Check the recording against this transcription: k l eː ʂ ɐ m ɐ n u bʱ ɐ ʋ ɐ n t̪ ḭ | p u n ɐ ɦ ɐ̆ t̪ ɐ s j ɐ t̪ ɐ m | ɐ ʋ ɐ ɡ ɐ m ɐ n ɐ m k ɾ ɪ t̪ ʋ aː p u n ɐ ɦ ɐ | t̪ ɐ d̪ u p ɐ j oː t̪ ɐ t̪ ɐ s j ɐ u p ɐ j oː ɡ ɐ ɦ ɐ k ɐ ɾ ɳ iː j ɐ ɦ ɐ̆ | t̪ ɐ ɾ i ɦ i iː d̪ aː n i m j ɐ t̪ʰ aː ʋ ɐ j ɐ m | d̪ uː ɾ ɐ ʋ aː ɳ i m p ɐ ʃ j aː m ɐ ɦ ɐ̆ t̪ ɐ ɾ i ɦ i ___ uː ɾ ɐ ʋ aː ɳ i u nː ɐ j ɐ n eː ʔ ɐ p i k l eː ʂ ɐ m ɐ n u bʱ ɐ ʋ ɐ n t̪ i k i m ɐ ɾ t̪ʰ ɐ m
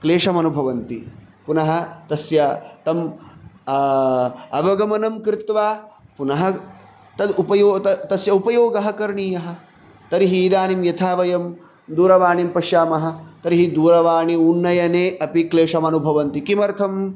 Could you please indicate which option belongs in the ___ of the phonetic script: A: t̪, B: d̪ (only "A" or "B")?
B